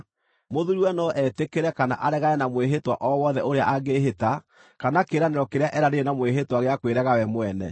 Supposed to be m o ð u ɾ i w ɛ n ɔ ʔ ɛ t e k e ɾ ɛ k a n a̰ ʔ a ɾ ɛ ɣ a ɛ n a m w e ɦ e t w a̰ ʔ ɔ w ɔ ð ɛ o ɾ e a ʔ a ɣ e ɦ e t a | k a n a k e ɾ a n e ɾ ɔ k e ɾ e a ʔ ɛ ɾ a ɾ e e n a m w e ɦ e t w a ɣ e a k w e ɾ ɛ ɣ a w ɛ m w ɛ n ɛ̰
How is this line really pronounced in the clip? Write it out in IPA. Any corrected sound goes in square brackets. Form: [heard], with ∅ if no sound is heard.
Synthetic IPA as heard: m o ð u ɾ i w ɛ n ɔ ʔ ɛ t e k e ɾ ɛ k a n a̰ ʔ a ɾ ɛ ɣ a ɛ n a m w e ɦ e t w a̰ ʔ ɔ w ɔ ð ɛ o ɾ e a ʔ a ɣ e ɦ e t a | k a n a k e ɾ a n e ɾ ɔ k e ɾ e a ʔ ɛ ɾ a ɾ e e n a m w e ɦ e t w a ɣ e a k w e ɾ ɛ ɣ a w ɛ m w ɛ n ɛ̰

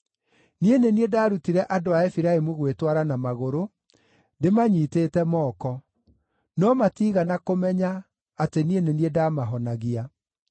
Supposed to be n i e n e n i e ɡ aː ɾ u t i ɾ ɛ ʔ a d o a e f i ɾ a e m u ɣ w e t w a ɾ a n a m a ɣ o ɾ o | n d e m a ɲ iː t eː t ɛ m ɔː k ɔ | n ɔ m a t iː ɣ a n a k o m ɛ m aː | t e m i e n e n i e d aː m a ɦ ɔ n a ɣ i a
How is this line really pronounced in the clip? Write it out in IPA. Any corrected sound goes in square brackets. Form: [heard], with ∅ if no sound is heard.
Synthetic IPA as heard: n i e n e n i e [d] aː ɾ u t i ɾ ɛ ʔ a d o a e f i ɾ a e m u ɣ w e t w a ɾ a n a m a ɣ o ɾ o | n d e m a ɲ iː t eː t ɛ m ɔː k ɔ | n ɔ m a t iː ɣ a n a k o m ɛ [ɲ] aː | t e [n] i e n e n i e d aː m a ɦ ɔ n a ɣ i a

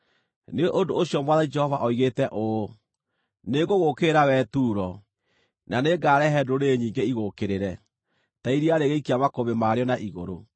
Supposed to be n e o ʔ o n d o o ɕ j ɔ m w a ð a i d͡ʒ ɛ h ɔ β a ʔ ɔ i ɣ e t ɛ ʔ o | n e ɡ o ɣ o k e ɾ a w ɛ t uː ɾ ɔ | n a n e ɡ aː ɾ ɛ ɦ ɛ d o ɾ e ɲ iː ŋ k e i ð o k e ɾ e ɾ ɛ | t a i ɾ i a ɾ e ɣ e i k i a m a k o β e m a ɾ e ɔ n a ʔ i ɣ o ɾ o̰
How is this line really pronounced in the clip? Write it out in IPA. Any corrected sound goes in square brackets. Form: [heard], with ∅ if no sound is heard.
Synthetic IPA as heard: n e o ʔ o n d o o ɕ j ɔ m w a ð a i d͡ʒ ɛ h ɔ [v] a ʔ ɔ i ɣ e t ɛ ʔ o | n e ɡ o ɣ o k e ɾ a w ɛ t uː ɾ ɔ | n a n e ɡ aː ɾ ɛ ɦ ɛ d o ɾ e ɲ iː ŋ [ɡ] e i [ɣ] o k e ɾ e ɾ ɛ | t a i ɾ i a ɾ e ɣ e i k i a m a k o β e m a ɾ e ɔ n a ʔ i ɣ o ɾ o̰

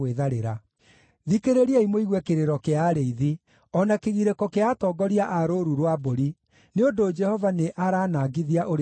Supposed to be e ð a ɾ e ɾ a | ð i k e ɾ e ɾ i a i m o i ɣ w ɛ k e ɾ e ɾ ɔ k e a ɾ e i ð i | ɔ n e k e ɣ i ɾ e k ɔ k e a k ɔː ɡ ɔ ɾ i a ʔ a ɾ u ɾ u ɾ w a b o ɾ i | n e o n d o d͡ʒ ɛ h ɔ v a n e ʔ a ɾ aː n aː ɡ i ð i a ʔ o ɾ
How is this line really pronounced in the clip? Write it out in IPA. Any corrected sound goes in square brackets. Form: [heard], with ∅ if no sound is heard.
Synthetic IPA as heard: e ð a ɾ e ɾ a | ð i k e ɾ e ɾ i a i m o i ɣ w ɛ k e ɾ e ɾ ɔ k e a ɾ e i ð i | ɔ n [a] k e ɣ i ɾ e k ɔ k e a [t] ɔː ɡ ɔ ɾ i a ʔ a ɾ [o] ɾ u ɾ w a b o ɾ i | n e o n d o d͡ʒ ɛ h ɔ v a n e ʔ a ɾ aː n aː ɡ i ð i a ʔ o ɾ

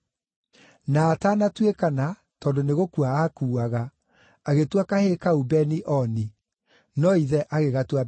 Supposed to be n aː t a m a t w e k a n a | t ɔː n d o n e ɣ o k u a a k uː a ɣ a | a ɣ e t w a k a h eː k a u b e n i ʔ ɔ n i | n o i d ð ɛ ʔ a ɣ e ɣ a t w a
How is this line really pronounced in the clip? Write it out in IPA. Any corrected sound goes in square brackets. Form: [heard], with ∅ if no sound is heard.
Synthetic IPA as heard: n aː t a [n] a t w e k a n a | t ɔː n d o n e ɣ o k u a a k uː a ɣ a | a ɣ e t w a k a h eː k a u b [ɛ] n i ʔ ɔ n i | n [ɔ] i [∅] ð ɛ ʔ a ɣ e ɣ a t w a

